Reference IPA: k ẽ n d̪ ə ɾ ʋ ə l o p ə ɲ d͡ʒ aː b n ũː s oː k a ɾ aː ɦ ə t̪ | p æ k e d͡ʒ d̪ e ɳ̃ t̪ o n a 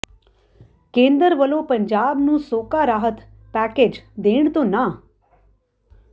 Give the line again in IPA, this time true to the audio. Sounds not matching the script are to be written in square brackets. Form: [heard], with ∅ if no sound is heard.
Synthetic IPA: k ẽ n d̪ ə ɾ ʋ ə l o p ə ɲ d͡ʒ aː b n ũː s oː k a ɾ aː ɦ ə t̪ | p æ k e d͡ʒ d̪ e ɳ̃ t̪ o n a